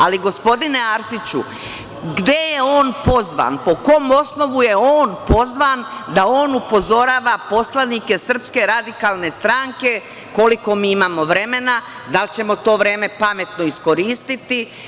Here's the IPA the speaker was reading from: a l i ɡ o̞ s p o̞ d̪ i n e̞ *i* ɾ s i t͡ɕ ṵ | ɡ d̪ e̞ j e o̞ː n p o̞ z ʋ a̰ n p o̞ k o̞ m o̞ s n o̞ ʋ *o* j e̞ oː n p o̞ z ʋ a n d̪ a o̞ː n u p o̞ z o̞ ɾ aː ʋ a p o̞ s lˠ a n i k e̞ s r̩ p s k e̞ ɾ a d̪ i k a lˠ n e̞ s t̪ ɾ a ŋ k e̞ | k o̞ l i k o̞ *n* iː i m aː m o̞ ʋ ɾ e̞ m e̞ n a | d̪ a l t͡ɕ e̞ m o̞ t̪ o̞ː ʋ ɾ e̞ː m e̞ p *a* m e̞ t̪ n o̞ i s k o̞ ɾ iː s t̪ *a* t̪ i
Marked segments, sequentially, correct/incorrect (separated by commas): incorrect, incorrect, incorrect, correct, incorrect